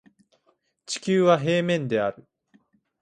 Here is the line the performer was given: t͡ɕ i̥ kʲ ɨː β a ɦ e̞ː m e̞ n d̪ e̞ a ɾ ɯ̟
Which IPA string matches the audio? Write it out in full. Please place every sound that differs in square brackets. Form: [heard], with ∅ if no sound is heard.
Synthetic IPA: t͡ɕ i̥ kʲ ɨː β a ɦ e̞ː m [ẽ̞] n d̪ e̞ a ɾ ɯ̟